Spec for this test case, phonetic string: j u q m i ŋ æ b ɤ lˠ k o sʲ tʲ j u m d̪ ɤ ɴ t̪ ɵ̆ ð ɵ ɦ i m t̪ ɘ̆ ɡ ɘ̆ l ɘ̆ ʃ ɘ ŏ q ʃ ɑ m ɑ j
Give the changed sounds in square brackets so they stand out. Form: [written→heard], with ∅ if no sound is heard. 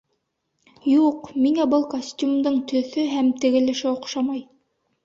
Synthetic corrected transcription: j u q m i ŋ æ b ɤ lˠ k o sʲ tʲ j u m d̪ ɤ ɴ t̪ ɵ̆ [ð→θ] ɵ ɦ [i→æ] m t̪ ɘ̆ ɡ ɘ̆ l ɘ̆ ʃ ɘ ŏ q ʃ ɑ m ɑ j